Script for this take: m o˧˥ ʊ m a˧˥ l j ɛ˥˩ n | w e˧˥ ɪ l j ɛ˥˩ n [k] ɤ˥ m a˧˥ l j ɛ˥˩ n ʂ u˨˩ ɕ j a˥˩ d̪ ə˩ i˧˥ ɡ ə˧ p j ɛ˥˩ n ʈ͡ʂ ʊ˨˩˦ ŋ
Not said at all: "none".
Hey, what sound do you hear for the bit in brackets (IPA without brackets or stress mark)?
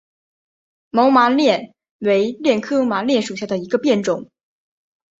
kʰ